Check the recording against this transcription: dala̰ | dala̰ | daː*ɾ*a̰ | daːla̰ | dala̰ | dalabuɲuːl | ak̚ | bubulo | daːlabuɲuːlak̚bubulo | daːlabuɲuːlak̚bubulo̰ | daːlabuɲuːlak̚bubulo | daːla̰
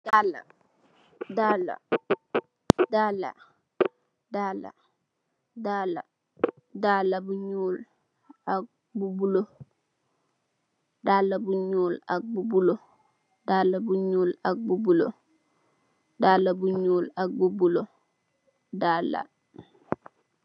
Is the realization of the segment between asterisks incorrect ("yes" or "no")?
yes